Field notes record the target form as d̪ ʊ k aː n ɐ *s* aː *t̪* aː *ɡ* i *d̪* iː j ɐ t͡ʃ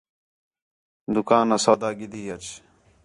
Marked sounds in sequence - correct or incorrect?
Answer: correct, incorrect: d̪, correct, correct

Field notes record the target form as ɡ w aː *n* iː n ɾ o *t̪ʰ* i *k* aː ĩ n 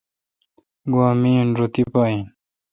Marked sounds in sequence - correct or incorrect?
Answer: incorrect: m, incorrect: t̪, incorrect: p

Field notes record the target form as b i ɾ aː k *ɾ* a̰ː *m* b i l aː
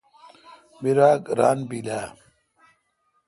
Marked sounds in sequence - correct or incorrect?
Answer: correct, incorrect: n

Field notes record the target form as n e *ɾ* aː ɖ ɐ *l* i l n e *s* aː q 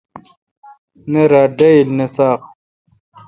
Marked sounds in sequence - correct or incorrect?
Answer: correct, incorrect: none, correct

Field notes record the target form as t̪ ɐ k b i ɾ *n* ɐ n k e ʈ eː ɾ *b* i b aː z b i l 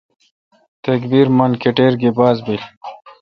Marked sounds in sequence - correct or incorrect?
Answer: incorrect: m, incorrect: ɡ

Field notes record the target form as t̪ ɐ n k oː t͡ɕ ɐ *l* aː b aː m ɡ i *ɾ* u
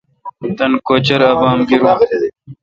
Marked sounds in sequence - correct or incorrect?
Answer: incorrect: ɾ, correct

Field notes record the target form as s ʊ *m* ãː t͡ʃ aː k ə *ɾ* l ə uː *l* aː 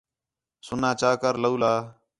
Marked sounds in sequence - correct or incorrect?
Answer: incorrect: n, correct, correct

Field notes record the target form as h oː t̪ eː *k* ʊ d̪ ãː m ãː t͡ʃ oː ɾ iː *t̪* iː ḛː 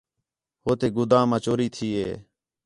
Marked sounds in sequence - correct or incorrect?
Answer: incorrect: ɡ, incorrect: t̪ʰ

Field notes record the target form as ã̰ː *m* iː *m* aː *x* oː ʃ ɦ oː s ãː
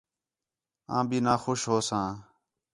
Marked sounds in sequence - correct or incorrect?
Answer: incorrect: b, incorrect: n, correct

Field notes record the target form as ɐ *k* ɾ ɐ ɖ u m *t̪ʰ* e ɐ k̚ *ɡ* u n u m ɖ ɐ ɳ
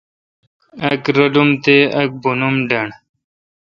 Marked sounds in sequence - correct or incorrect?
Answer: correct, incorrect: t̪, incorrect: b

